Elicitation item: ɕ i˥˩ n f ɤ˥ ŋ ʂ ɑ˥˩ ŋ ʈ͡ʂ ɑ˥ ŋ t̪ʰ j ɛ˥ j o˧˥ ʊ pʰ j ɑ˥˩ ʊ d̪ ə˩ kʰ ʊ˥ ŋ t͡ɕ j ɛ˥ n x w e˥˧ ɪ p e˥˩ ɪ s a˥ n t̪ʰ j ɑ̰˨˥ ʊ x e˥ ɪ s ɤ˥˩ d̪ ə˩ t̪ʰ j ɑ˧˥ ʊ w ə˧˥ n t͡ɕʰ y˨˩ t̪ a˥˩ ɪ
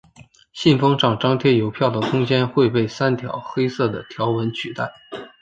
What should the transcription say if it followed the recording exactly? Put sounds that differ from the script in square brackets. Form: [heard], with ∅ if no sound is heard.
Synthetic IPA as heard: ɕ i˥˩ n f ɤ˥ ŋ [ʈ͡ʂ] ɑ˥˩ ŋ ʈ͡ʂ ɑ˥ ŋ t̪ʰ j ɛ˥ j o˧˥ ʊ pʰ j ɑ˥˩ ʊ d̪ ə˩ kʰ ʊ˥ ŋ t͡ɕ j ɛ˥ n x w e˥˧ ɪ p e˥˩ ɪ s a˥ n t̪ʰ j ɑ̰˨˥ ʊ x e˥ ɪ s ɤ˥˩ d̪ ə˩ t̪ʰ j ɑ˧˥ ʊ w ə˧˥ n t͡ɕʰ y˨˩ t̪ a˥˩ ɪ